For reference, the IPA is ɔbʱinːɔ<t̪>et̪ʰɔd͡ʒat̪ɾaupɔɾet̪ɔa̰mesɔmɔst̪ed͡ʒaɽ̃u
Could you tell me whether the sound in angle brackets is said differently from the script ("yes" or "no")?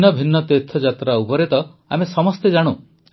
no